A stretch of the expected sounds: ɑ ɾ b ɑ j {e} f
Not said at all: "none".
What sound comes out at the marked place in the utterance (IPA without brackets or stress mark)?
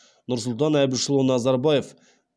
e